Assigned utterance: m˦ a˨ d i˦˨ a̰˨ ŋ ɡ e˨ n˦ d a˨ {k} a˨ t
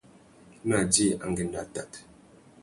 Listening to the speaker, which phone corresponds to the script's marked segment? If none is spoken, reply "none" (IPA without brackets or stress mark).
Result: t